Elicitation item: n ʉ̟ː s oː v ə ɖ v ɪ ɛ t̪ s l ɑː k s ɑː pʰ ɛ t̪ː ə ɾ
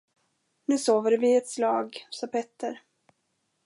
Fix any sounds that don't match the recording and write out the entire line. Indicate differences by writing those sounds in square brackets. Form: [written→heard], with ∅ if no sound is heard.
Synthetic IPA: n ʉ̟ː s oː v ə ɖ v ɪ ɛ t̪ s l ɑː [k→ɡ] s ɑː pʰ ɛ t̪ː ə ɾ